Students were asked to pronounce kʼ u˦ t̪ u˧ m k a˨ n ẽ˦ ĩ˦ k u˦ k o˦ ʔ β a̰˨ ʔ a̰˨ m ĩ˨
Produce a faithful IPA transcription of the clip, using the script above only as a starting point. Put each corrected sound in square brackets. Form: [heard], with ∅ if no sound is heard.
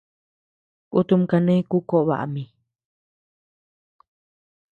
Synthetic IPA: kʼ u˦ t̪ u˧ m k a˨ n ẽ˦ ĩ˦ k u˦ k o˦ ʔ β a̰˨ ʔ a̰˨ m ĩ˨